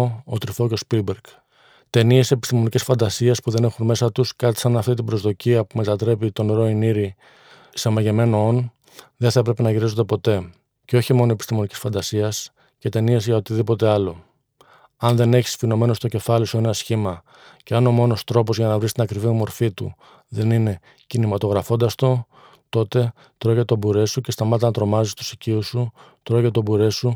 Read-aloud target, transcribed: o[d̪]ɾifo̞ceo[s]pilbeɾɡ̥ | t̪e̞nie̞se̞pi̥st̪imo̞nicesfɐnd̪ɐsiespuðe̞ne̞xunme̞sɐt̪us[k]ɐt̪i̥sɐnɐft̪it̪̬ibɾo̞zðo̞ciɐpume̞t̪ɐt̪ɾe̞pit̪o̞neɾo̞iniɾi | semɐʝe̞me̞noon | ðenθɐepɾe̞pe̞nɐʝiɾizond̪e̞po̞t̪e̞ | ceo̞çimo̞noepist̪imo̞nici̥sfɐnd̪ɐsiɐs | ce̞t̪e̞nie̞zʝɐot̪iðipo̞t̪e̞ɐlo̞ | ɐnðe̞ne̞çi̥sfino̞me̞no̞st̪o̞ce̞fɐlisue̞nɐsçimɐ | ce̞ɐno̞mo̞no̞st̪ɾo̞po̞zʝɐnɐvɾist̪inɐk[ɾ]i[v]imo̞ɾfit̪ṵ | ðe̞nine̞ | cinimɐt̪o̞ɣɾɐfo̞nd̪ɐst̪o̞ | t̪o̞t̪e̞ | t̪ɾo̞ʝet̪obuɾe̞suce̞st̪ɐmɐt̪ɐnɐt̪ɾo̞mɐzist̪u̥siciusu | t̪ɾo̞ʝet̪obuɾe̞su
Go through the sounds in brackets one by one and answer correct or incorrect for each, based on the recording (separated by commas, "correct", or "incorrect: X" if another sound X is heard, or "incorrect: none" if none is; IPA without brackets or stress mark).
incorrect: t̪, correct, correct, correct, correct